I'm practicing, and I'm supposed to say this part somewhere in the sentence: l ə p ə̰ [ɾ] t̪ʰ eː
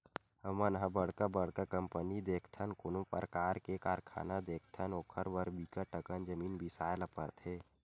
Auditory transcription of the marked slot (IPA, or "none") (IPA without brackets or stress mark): ɾ